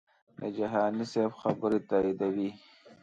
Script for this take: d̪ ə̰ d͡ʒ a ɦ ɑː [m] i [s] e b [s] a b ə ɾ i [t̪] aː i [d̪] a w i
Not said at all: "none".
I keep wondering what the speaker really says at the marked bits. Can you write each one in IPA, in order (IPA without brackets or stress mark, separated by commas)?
n, s, x, t̪, d̪